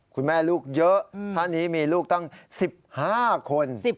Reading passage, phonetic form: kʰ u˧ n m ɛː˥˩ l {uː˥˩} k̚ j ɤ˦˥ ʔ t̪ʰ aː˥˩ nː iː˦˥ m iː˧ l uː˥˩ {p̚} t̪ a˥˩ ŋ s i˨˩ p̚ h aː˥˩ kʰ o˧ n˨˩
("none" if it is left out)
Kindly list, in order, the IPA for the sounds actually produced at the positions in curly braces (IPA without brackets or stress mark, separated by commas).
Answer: uː˥˩, k̚